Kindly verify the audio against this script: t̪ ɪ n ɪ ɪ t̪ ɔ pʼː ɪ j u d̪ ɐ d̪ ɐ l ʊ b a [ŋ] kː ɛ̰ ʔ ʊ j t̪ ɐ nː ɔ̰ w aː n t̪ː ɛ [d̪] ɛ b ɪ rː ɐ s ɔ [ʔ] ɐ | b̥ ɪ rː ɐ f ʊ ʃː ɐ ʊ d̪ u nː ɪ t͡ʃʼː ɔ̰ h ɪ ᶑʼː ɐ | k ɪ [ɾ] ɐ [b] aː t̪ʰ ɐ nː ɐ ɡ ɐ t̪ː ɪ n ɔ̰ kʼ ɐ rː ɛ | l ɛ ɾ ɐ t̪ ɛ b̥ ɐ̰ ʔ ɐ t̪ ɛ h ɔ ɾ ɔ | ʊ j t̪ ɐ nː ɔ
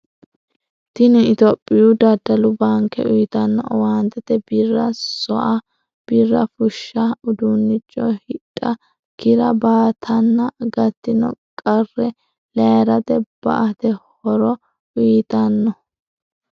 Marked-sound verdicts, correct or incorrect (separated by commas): correct, incorrect, correct, correct, correct